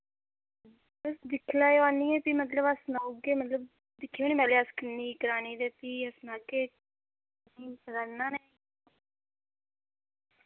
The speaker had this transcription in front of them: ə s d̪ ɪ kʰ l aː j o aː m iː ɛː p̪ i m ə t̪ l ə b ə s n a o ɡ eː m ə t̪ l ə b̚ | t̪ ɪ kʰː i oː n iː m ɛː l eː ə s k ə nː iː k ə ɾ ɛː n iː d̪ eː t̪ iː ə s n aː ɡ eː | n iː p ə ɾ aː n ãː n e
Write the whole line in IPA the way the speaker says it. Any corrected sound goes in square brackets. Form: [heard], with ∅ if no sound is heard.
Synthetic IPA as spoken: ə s d̪ ɪ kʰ l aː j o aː [n] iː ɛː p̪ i m ə t̪ l ə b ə s n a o ɡ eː m ə t̪ l ə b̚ | [d̪] ɪ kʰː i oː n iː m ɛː l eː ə s k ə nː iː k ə ɾ [aː] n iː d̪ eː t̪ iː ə s n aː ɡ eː | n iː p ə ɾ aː n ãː n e